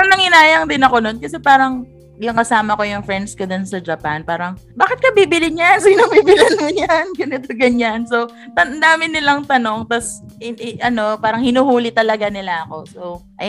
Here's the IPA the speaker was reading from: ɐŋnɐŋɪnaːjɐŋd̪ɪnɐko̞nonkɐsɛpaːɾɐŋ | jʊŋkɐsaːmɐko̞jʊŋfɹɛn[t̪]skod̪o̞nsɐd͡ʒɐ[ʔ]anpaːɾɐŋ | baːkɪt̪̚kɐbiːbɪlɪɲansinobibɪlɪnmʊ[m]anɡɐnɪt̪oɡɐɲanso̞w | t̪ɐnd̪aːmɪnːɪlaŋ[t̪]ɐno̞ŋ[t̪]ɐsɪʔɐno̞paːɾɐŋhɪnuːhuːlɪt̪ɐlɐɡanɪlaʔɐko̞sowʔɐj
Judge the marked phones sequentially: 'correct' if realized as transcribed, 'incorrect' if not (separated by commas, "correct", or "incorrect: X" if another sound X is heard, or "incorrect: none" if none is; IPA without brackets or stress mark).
incorrect: d̪, incorrect: p, incorrect: ɲ, correct, correct